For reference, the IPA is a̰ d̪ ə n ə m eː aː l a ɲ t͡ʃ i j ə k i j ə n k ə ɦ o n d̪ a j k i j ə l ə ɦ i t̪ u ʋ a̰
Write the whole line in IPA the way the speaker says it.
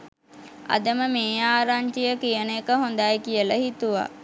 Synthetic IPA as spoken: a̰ d̪ ə m ə m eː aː ɾ a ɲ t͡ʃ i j ə k i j ə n k ə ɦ o n d̪ a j k i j ə l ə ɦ i t̪ u ʋ a̰

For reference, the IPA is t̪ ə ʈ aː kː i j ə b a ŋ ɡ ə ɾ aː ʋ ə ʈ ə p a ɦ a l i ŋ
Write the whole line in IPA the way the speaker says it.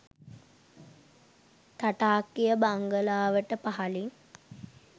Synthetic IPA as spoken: t̪ a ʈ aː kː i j ə b a ŋ ɡ ə l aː ʋ ə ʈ ə p a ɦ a l i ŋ

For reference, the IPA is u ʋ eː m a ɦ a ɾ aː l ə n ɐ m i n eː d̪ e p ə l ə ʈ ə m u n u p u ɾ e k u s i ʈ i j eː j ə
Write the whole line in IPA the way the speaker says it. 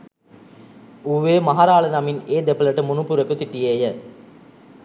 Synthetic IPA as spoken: u ʋ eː m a ɦ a ɾ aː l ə n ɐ m i n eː d̪ e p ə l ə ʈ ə m u n u p u ɾ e k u s i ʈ i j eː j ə

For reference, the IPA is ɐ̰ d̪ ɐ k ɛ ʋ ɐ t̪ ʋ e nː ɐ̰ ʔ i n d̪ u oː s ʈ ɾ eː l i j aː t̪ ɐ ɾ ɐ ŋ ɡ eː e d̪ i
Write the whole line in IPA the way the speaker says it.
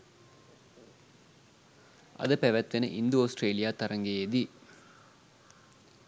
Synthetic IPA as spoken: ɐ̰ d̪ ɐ p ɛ ʋ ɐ t̪ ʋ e n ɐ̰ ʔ i n d̪ u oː s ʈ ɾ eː l i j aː t̪ ɐ ɾ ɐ ŋ ɡ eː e d̪ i

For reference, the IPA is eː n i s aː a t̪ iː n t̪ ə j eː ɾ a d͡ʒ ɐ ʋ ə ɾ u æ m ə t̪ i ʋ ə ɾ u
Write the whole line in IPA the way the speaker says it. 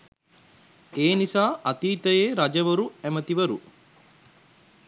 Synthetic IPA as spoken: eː n i s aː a t̪ iː t̪ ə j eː ɾ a d͡ʒ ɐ ʋ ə ɾ u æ m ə t̪ i ʋ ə ɾ u

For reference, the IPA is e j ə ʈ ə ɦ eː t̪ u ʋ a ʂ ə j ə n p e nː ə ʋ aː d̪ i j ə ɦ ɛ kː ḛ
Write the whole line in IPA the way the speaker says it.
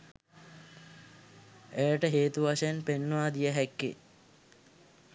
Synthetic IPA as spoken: e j ə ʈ ə ɦ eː t̪ u ʋ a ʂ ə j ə n p e nː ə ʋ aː d̪ i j ə ɦ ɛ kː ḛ

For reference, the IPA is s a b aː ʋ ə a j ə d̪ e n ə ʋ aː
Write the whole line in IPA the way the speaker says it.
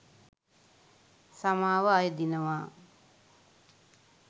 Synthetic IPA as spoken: s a m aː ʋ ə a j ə d̪ i n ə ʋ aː

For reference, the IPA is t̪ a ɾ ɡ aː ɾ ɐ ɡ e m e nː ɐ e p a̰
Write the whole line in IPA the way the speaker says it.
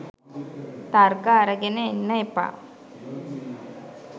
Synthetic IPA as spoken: t̪ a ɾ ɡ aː ɾ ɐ ɡ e n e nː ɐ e p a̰

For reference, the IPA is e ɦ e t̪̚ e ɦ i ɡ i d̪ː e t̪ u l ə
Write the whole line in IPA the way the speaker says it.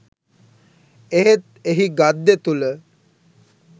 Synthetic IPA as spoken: e ɦ e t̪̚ e ɦ i ɡ a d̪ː e t̪ u l ə

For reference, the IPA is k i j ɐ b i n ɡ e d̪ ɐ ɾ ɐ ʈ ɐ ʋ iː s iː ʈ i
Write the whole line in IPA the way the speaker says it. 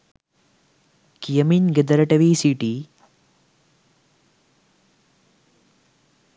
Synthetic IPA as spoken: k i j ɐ m i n ɡ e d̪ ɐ ɾ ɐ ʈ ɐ ʋ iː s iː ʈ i

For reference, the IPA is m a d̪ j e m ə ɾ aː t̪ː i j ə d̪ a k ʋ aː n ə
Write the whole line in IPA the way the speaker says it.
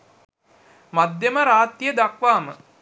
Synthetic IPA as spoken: m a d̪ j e m ə ɾ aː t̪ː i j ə d̪ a k ʋ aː m ə

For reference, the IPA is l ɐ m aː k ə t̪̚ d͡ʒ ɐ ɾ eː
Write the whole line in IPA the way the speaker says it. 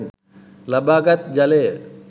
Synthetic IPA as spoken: l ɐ b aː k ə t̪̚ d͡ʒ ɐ l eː

